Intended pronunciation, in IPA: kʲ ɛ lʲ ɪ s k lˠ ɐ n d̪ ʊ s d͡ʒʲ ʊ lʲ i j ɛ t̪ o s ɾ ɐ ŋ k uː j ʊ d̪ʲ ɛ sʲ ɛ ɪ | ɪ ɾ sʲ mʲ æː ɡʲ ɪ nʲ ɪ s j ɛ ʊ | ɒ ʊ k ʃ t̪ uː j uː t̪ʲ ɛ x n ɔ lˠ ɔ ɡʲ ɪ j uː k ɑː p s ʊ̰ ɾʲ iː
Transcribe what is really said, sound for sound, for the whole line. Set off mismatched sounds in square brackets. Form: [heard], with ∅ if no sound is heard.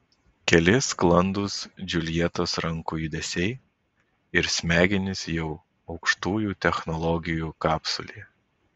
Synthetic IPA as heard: kʲ ɛ lʲ ɪ s k lˠ ɐ n d̪ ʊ s d͡ʒʲ ʊ lʲ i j ɛ t̪ o s ɾ ɐ ŋ k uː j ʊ d̪ʲ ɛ sʲ ɛ ɪ | ɪ ɾ sʲ mʲ æː ɡʲ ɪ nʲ ɪ s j ɛ ʊ | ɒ ʊ k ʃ t̪ uː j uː t̪ʲ ɛ x n ɔ lˠ ɔ ɡʲ ɪ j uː k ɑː p s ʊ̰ [lʲ] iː